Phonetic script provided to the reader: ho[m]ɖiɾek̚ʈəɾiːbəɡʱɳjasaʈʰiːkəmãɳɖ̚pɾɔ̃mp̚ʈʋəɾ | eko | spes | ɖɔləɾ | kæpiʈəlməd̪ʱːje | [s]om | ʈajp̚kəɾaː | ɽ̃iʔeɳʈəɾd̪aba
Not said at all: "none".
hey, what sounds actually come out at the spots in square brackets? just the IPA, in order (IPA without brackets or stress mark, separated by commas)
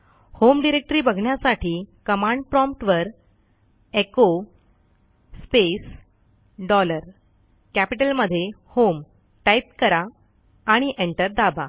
m, h